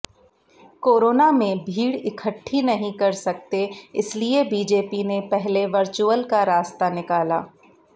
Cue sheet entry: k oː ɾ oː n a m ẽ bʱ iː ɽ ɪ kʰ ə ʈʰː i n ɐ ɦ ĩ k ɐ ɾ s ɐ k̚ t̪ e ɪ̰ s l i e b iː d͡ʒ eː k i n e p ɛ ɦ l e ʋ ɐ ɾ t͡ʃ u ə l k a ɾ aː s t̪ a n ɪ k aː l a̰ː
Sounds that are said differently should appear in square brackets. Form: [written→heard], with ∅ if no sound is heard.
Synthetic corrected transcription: k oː ɾ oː n a m ẽ bʱ iː ɽ ɪ kʰ ə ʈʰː i n ɐ ɦ ĩ k ɐ ɾ s ɐ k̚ t̪ e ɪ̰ s l i e b iː d͡ʒ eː [k→p] i n e p ɛ ɦ l e ʋ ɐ ɾ t͡ʃ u ə l k a ɾ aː s t̪ a n ɪ k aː l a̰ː